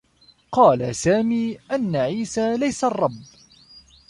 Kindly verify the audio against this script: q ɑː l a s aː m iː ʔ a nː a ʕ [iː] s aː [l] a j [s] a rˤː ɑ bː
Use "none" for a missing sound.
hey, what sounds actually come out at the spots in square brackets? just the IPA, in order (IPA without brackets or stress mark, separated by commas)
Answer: iː, l, s